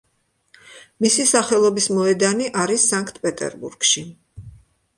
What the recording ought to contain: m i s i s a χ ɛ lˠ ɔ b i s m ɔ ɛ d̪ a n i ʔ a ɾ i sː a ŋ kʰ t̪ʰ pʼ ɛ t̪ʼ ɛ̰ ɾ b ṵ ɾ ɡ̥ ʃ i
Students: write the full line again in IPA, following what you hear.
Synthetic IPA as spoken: m i s i s a χ ɛ lˠ ɔ b i s m ɔ ɛ d̪ a n i ʔ a ɾ i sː a ŋ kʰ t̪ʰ pʼ ɛ t̪ʼ ɛ̰ ɾ b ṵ ɾ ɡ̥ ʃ i